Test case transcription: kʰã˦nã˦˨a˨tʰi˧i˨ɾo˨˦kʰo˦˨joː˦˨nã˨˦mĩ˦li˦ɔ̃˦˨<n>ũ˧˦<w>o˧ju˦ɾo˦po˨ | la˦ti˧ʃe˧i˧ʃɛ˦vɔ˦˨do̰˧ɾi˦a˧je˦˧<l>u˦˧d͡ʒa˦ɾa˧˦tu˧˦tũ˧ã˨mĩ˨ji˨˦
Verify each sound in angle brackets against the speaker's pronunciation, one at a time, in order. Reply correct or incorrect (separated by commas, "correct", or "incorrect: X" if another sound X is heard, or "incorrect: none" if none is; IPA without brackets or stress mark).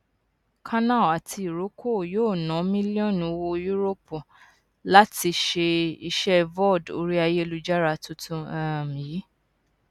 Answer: correct, correct, correct